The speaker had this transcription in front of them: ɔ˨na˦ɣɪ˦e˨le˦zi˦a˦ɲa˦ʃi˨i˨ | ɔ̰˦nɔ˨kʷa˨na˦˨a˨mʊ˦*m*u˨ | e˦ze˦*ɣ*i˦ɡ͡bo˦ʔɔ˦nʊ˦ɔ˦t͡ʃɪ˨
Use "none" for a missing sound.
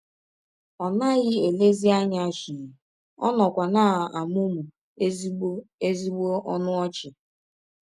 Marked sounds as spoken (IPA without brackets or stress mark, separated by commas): m, z